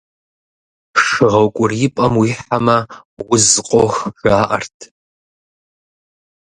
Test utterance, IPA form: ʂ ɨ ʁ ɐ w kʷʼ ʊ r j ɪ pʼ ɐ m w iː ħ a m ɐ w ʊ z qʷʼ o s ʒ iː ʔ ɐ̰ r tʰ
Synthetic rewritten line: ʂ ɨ ʁ ɐ w kʷʼ ʊ r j ɪ pʼ ɐ m w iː ħ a m ɐ w ʊ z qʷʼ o x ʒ aː ʔ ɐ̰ r tʰ